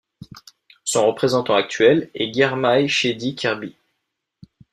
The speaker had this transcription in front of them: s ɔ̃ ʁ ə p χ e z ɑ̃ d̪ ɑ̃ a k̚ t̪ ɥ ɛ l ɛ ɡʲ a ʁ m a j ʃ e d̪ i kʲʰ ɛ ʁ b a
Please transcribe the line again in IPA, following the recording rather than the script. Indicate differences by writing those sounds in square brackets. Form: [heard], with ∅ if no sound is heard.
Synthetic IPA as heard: s ɔ̃ ʁ ə p χ e z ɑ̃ [t̪] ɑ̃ a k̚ t̪ ɥ ɛ l ɛ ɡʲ [ɛ] ʁ m a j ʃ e d̪ i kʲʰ ɛ ʁ b [i]